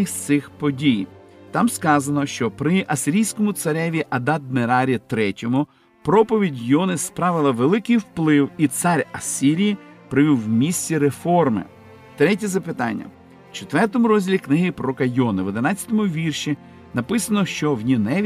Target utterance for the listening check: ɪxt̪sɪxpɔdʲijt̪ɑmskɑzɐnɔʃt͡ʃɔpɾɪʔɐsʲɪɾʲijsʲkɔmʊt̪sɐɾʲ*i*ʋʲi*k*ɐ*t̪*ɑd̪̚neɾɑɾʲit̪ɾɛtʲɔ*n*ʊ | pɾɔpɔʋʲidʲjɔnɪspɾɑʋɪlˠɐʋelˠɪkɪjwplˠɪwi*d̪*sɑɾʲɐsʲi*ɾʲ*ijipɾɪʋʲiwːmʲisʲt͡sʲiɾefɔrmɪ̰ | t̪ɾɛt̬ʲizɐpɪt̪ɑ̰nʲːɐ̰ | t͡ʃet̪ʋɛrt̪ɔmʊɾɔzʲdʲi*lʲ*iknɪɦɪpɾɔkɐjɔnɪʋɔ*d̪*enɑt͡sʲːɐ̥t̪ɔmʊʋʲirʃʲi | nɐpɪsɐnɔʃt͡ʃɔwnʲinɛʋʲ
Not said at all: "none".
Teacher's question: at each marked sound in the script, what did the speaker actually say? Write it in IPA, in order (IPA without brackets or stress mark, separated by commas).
ɛ, ʔ, d̪, m, t̪, ɾʲ, lʲ, d̪